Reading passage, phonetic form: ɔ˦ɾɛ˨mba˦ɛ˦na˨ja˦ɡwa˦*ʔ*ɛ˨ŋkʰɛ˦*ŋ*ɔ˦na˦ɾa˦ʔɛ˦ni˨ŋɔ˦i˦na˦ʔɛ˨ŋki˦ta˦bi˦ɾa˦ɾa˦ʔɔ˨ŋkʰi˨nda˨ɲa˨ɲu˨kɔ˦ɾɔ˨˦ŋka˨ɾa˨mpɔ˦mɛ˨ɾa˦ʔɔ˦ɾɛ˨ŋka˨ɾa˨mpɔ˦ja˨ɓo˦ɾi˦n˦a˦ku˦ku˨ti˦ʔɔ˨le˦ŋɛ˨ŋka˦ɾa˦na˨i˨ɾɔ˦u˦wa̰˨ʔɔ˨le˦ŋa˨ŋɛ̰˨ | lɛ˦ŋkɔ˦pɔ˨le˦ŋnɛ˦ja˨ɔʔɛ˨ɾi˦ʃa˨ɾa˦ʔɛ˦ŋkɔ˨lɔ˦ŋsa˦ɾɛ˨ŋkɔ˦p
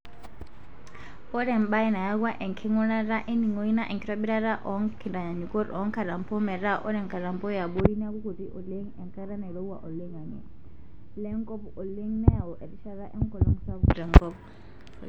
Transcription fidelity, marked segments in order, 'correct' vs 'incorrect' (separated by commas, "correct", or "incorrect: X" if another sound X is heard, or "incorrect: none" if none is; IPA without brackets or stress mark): correct, correct